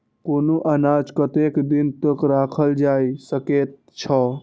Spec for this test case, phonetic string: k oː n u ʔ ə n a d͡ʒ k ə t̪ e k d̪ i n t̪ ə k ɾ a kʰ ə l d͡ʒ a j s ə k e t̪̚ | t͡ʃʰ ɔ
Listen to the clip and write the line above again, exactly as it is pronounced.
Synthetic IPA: k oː n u ʔ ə n a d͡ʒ k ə t̪ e k d̪ i n t̪ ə k ɾ a kʰ ə l d͡ʒ a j s ə k e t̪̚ | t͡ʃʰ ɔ

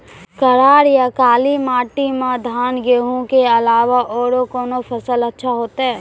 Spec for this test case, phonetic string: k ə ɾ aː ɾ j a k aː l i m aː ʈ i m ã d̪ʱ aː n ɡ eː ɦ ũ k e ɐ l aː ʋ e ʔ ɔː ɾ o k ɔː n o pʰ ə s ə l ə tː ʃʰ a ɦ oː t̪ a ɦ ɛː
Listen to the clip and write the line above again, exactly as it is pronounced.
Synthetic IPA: k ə ɾ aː ɾ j a k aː l i m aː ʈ i m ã d̪ʱ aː n ɡ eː ɦ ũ k e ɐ l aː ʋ a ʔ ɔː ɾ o k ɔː n o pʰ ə s ə l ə tː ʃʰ a ɦ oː t̪ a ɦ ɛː

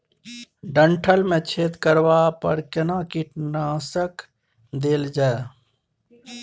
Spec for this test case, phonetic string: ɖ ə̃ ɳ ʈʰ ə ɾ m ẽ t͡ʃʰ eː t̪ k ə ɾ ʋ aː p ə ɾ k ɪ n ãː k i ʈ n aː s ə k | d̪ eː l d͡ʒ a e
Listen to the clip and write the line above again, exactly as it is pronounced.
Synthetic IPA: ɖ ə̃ ɳ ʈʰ ə l m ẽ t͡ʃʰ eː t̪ k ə ɾ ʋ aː p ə ɾ k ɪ n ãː k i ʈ n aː s ə k | d̪ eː l d͡ʒ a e

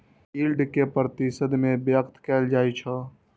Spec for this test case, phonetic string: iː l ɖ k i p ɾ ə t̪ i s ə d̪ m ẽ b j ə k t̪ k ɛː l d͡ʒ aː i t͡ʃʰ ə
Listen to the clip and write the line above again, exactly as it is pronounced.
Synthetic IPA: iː l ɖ k e p ɾ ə t̪ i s ə d̪ m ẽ b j ə k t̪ k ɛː l d͡ʒ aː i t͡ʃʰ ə

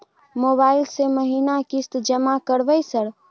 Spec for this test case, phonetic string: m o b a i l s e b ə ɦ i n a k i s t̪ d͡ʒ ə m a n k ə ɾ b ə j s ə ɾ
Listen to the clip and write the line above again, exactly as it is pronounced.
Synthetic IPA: m o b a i l s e m ə ɦ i n a k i s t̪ d͡ʒ ə m a k ə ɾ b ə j s ə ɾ

